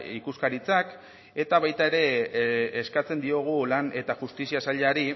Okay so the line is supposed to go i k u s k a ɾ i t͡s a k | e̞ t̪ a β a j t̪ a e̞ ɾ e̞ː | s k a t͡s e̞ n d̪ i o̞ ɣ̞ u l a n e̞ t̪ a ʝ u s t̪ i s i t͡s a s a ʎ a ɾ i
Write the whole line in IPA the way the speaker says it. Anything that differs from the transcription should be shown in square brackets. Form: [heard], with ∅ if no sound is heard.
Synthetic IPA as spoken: i k u s k a ɾ i t͡s a k | e̞ t̪ a β a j t̪ a e̞ ɾ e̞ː | s k a t͡s e̞ n d̪ i o̞ ɣ̞ u l a n e̞ t̪ a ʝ u s t̪ i s i [∅] a s a ʎ a ɾ i